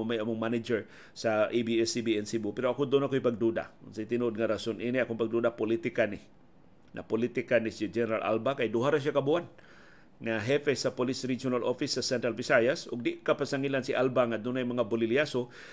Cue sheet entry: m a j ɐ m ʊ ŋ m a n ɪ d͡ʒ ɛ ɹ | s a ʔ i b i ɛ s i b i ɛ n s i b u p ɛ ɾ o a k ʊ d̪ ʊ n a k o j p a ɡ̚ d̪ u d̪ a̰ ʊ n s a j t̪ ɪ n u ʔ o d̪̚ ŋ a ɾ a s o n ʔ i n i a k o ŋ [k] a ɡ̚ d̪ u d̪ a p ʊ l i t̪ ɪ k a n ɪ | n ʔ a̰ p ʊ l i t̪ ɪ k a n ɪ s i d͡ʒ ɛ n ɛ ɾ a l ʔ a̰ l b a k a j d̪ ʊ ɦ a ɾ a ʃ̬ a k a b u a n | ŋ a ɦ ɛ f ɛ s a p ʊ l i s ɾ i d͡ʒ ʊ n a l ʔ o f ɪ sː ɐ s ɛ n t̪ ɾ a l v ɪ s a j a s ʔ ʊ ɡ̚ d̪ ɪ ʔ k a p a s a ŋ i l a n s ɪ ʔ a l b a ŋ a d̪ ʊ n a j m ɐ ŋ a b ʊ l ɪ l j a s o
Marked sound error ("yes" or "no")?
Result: yes